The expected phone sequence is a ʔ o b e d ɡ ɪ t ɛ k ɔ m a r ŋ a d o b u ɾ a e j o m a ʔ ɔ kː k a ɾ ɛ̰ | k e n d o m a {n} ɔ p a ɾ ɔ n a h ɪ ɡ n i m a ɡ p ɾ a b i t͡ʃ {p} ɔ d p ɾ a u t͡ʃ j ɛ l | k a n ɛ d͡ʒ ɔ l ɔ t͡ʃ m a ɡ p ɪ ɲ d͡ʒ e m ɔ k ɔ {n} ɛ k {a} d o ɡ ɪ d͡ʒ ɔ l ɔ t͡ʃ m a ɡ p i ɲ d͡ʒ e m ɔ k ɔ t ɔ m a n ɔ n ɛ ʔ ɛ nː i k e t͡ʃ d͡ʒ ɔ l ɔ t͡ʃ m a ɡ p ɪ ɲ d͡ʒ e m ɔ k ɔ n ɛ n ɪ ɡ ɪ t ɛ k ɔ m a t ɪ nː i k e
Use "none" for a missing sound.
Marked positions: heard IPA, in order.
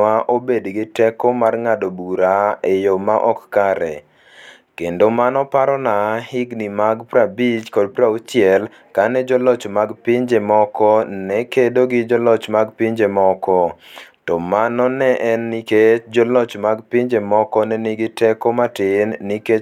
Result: n, k, n, e

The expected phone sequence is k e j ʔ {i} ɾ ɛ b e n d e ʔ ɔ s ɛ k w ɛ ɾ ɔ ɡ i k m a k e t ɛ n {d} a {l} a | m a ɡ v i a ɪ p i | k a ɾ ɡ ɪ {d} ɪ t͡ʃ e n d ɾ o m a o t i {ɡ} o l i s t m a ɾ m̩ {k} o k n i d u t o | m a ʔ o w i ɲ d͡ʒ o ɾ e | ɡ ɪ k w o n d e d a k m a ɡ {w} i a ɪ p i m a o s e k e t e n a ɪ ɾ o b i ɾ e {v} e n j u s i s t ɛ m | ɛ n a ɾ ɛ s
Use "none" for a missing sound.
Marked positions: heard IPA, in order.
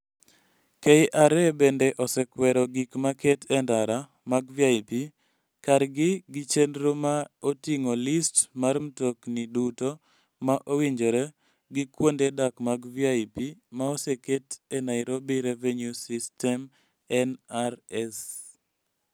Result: a, d, ɾ, ɡ, ŋ, t, v, v

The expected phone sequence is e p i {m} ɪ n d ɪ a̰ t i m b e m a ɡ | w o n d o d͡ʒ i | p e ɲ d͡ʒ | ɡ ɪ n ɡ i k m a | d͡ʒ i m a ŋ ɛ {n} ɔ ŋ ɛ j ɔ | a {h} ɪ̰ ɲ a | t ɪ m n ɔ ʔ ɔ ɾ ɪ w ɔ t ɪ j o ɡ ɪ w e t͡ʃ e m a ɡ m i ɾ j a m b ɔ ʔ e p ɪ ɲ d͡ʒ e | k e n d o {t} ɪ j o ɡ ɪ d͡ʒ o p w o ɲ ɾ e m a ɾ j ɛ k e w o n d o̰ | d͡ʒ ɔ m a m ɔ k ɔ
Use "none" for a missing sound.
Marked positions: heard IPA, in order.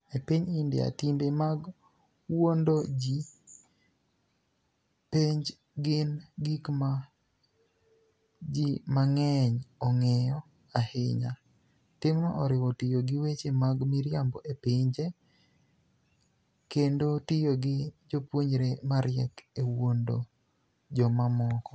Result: ɲ, ɲ, h, t

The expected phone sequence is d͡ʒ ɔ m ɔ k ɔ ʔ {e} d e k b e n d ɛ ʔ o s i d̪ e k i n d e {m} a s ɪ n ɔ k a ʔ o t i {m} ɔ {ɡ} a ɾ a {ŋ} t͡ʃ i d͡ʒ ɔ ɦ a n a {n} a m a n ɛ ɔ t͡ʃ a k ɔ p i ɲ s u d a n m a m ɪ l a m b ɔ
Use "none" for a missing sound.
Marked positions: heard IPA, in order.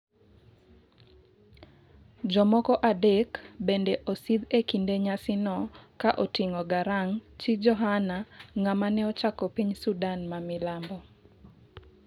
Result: a, ɲ, ŋ, ɡ, ŋ, ŋ

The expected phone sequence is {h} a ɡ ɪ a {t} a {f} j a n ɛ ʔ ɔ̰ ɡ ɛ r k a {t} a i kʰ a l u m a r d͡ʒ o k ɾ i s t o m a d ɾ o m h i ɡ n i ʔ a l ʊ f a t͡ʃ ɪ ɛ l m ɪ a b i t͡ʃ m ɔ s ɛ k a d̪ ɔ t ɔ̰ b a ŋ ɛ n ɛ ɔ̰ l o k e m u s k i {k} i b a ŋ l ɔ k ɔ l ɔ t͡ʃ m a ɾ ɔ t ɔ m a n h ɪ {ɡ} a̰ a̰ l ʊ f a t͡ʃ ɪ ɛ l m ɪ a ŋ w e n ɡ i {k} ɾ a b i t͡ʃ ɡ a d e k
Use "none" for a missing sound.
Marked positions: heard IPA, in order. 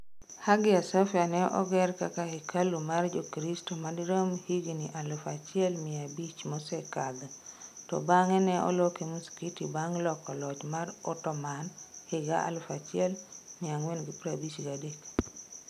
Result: h, s, f, k, t, ɡ, p

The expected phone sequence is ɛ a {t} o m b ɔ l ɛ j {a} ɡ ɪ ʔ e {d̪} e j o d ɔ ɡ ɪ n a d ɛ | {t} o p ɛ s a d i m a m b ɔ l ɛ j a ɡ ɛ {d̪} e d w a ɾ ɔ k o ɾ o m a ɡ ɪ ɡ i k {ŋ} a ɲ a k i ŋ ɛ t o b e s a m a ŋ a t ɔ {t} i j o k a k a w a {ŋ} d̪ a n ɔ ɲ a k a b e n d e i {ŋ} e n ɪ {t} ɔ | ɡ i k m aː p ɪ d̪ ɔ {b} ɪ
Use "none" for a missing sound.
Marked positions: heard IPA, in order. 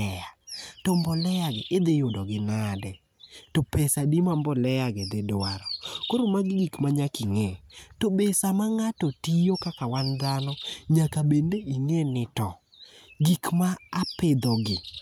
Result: t, a, d̪, t, d̪, m, t, n, ŋ, t, ɡ

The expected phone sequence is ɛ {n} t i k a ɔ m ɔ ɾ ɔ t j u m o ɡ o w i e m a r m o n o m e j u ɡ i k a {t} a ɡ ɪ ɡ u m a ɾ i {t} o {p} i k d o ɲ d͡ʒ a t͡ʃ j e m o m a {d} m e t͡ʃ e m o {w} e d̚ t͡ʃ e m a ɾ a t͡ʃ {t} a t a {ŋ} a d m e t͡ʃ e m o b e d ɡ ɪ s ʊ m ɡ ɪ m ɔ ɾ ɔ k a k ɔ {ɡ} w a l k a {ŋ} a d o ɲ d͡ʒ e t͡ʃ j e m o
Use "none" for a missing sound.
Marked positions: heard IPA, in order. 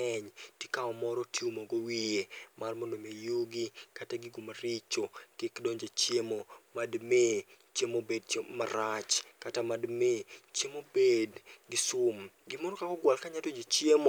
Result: ɲ, t, t͡ʃ, k, d, b, k, m, ɡ, ɲ

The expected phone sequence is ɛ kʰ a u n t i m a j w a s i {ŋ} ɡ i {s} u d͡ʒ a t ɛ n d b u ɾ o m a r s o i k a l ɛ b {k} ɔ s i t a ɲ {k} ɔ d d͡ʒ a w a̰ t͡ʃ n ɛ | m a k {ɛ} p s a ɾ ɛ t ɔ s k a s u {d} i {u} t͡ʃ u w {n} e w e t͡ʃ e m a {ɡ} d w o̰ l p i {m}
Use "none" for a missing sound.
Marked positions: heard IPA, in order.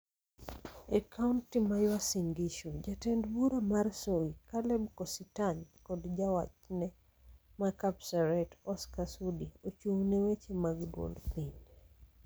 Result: ŋ, ʃ, k, k, a, d, o, n, ɡ, ɲ

